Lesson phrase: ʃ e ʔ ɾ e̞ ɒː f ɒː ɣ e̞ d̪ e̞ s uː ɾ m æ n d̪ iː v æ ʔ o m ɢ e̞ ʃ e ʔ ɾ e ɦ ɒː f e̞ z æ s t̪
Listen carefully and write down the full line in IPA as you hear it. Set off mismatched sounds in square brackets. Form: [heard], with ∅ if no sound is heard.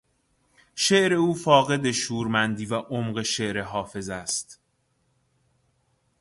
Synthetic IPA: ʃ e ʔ ɾ e̞ [uː] f ɒː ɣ e̞ d̪ e̞ [ʃ] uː ɾ m æ n d̪ iː v æ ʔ o m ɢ e̞ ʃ e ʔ ɾ e ɦ ɒː f e̞ z æ s t̪